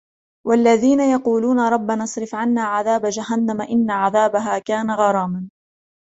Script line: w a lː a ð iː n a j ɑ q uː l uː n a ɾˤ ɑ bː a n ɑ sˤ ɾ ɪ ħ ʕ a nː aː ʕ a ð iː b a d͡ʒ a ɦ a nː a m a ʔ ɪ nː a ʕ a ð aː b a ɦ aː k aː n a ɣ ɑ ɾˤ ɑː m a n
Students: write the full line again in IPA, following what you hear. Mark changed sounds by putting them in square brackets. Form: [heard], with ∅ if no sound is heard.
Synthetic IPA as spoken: w a lː a ð iː n a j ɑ q uː l uː n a ɾˤ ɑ bː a n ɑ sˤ ɾ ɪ [f] ʕ a nː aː ʕ a ð [aː] b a d͡ʒ a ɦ a nː a m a ʔ ɪ nː a ʕ a ð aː b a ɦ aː k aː n a ɣ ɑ ɾˤ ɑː m a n